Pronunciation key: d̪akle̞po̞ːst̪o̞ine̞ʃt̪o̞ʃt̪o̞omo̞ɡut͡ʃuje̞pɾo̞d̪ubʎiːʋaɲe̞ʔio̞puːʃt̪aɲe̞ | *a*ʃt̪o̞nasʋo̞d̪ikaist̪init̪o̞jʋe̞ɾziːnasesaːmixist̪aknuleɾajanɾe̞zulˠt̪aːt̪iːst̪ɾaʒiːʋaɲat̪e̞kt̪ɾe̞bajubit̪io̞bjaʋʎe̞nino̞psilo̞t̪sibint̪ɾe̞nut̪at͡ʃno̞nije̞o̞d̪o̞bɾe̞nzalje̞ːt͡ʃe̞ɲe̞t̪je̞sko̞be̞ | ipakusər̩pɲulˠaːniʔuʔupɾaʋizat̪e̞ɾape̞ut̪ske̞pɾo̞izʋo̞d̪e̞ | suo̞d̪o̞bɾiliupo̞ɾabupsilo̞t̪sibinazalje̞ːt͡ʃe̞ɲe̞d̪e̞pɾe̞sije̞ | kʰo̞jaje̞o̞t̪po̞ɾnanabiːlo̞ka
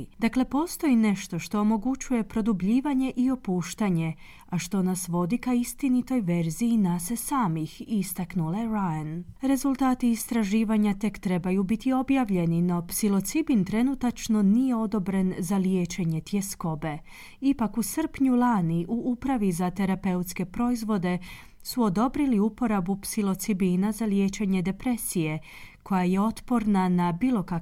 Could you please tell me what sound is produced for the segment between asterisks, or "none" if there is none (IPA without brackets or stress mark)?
a